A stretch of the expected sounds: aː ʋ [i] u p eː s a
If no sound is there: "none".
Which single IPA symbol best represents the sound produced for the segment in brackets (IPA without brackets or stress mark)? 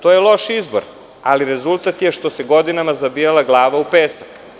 a